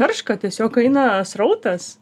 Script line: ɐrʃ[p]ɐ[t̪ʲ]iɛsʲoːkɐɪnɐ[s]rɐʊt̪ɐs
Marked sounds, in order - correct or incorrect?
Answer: incorrect: k, correct, correct

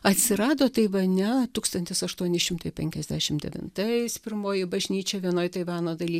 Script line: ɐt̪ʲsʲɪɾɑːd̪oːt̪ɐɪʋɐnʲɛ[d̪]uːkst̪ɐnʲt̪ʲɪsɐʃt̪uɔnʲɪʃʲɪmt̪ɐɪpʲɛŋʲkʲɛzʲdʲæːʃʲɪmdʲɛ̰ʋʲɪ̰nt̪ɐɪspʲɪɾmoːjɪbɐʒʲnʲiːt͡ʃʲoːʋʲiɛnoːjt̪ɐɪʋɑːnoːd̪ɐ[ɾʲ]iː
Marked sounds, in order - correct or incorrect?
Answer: incorrect: t̪, incorrect: lʲ

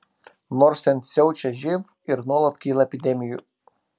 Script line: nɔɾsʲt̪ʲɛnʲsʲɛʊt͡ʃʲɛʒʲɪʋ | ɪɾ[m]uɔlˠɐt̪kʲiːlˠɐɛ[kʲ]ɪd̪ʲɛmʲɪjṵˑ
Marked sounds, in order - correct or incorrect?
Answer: incorrect: n, incorrect: pʲ

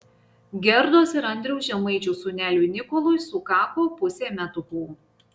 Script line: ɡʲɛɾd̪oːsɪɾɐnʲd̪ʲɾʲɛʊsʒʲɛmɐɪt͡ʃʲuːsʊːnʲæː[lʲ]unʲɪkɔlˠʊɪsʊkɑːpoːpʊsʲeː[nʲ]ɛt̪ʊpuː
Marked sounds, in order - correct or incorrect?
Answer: correct, incorrect: mʲ

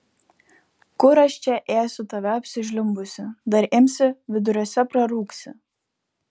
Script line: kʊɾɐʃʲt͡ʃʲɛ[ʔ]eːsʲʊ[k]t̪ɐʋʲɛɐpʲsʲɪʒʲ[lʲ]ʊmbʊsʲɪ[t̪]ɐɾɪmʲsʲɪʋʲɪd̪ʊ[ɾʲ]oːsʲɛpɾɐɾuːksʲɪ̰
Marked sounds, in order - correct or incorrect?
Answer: correct, incorrect: none, correct, incorrect: d̪, correct

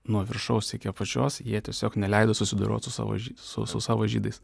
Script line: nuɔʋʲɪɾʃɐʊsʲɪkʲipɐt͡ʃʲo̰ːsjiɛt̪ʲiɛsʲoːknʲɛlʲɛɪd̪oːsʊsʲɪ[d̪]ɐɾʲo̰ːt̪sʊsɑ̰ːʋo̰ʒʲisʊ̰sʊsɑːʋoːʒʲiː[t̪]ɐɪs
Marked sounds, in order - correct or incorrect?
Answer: correct, incorrect: d̪

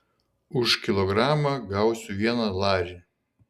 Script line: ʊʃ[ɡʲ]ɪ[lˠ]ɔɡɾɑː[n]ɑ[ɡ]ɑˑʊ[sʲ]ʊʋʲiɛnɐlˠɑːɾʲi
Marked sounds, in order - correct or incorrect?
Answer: incorrect: kʲ, correct, incorrect: m, correct, correct

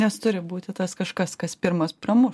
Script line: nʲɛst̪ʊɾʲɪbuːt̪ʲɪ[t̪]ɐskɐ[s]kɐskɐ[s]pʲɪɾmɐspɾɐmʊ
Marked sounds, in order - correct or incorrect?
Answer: correct, incorrect: ʃ, correct

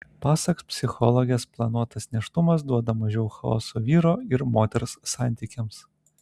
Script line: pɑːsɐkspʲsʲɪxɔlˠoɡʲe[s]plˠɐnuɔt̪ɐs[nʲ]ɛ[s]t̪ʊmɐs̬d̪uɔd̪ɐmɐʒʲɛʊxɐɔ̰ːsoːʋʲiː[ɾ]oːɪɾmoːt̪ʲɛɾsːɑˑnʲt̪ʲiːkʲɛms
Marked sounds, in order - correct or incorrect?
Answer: correct, correct, incorrect: ʃ, correct

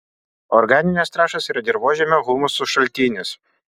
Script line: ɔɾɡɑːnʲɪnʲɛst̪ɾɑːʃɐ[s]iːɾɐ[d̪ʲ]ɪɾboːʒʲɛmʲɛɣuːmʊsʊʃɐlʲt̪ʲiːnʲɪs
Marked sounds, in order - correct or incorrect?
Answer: correct, correct

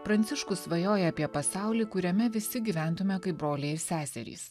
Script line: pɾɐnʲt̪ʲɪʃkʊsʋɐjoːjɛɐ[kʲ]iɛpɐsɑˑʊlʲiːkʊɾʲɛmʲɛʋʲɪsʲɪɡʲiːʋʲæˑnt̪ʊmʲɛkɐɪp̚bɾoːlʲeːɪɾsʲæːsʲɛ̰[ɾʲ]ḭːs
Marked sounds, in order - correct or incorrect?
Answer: incorrect: pʲ, correct

